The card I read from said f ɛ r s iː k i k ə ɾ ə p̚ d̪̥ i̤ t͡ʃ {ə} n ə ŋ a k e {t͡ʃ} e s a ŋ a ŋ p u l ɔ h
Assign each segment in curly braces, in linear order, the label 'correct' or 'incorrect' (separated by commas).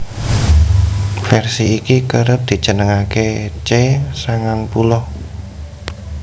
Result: correct, correct